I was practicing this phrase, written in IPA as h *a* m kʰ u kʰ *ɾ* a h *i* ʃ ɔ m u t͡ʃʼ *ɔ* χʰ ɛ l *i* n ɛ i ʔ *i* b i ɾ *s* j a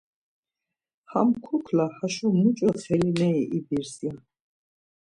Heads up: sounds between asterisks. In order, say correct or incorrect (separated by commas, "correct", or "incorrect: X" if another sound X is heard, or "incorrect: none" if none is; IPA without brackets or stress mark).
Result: correct, incorrect: l, incorrect: a, correct, correct, correct, correct